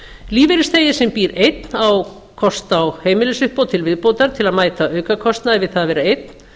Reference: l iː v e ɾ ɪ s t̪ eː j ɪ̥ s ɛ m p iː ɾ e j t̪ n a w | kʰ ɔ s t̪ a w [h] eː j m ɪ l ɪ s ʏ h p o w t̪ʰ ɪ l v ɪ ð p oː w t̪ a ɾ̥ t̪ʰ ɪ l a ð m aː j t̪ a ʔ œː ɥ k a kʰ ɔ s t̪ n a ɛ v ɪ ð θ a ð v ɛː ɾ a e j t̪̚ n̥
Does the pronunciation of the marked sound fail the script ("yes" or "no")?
no